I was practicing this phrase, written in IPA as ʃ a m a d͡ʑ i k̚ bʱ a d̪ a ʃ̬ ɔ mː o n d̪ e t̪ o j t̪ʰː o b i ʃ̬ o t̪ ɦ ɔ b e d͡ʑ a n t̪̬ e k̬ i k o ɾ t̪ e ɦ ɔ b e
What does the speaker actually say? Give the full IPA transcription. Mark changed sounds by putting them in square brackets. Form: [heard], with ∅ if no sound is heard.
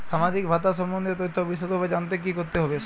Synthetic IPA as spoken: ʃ a m a d͡ʑ i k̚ bʱ a [t̪] a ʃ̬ ɔ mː o n d̪ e t̪ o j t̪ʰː o b i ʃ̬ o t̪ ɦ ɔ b e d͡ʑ a n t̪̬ e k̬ i k o ɾ t̪ e ɦ ɔ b e

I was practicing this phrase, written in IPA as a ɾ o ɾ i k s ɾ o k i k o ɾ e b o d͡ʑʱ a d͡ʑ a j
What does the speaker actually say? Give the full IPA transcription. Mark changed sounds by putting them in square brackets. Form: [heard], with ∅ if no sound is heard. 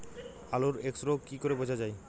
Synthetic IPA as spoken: a [l] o ɾ [e] k s ɾ o k i k o ɾ e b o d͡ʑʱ a d͡ʑ a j

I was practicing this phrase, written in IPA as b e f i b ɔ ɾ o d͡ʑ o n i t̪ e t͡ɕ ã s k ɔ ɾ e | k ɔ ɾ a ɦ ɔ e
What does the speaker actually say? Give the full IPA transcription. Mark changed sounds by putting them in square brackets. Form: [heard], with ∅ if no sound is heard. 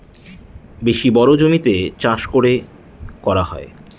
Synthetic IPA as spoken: b e [ʃ] i b ɔ ɾ o d͡ʑ o [m] i t̪ e t͡ɕ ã [ʃ] k [o] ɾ e | k ɔ ɾ a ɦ ɔ e

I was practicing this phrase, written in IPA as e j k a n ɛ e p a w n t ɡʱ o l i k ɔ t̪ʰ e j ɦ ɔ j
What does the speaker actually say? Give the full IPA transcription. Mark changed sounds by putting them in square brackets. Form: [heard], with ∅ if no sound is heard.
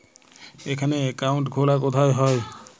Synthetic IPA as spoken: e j [kʰ] a n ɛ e [k] a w n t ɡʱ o l [a] k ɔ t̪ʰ [a] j ɦ ɔ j

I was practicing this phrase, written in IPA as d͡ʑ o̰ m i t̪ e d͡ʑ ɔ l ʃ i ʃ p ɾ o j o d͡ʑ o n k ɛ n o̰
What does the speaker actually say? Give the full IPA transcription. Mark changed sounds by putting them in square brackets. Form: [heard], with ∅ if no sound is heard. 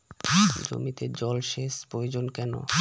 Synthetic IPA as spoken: d͡ʑ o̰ m i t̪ e d͡ʑ ɔ l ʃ [e] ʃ p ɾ o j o d͡ʑ o n k ɛ n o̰

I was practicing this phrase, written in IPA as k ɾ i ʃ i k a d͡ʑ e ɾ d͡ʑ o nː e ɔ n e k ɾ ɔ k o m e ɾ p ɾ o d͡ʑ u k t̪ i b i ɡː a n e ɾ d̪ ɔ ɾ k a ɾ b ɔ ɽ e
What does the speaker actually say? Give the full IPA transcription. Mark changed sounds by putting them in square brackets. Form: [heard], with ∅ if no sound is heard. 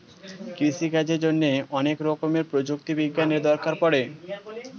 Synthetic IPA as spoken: k ɾ i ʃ i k a d͡ʑ e ɾ d͡ʑ o nː e ɔ n e k ɾ ɔ k o m e ɾ p ɾ o d͡ʑ u k t̪ i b i ɡː a n e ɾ d̪ ɔ ɾ k a ɾ [p] ɔ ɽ e

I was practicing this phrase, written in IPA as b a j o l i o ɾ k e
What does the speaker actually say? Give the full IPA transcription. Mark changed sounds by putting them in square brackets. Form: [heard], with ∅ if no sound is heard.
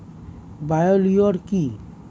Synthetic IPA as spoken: b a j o l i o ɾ k [i]

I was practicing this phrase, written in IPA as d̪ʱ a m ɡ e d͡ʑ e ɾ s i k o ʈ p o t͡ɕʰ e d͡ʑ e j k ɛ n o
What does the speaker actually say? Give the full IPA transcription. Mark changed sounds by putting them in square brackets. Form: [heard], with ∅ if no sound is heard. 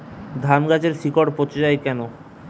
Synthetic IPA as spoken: d̪ʱ a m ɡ [a] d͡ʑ e ɾ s i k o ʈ p o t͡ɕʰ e d͡ʑ [a] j k ɛ n o

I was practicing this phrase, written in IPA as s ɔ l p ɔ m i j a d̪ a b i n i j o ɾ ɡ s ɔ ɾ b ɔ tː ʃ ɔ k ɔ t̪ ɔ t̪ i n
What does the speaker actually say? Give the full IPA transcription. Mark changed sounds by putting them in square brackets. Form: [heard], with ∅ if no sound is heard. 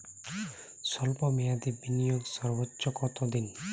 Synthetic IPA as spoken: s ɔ l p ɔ m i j a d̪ [i] b i n i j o [∅] ɡ s ɔ ɾ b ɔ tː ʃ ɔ k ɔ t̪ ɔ [d̪] i n

